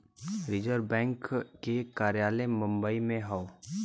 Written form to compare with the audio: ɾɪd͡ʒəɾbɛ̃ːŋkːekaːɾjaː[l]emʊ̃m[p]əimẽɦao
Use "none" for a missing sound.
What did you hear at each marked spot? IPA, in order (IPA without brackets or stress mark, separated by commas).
l, b